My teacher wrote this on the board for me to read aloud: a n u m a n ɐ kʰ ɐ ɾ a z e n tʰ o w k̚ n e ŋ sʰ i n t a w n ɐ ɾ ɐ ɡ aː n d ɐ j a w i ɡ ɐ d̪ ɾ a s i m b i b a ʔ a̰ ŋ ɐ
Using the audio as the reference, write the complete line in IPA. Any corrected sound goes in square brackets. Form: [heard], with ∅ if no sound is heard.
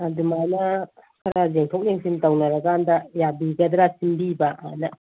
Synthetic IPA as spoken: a [d] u m a n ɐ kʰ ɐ ɾ a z e [ŋ] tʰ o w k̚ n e ŋ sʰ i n t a w n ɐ ɾ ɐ ɡ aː n d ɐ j a [b] i ɡ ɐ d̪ ɾ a s i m b i b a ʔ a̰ [n] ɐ